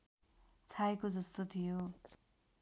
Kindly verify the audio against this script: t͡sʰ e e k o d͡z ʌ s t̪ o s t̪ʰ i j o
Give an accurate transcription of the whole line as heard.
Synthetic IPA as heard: t͡sʰ a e k o d͡z ʌ s t̪ o t̪ʰ i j o